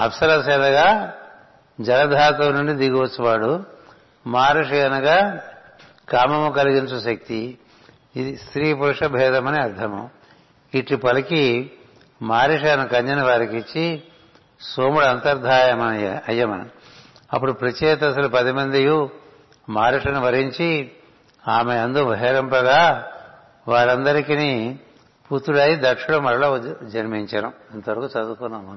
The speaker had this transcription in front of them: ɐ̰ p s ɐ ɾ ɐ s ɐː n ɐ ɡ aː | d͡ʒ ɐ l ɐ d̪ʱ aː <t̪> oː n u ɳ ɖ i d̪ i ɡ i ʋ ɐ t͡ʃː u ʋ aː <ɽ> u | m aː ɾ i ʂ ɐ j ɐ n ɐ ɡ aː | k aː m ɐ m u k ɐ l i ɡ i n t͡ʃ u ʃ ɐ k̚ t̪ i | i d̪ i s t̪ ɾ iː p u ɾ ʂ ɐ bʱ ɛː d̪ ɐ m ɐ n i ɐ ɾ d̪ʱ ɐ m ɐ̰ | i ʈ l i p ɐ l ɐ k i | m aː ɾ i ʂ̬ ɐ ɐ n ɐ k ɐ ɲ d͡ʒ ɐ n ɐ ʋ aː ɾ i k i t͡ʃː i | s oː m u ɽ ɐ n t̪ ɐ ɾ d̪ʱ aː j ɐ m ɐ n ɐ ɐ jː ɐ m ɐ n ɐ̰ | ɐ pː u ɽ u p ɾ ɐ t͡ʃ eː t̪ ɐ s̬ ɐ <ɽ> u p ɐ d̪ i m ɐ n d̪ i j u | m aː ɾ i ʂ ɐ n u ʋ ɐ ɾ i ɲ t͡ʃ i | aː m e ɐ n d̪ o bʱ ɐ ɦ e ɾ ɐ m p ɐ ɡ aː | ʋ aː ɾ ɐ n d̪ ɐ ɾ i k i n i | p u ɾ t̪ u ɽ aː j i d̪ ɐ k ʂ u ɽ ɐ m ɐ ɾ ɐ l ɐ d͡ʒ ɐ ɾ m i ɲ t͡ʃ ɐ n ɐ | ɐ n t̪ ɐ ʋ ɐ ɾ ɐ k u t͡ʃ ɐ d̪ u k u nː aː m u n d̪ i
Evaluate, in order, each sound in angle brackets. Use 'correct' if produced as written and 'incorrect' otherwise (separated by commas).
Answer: correct, correct, incorrect